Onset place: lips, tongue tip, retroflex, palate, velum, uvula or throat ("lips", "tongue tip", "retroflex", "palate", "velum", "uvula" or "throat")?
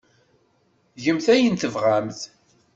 palate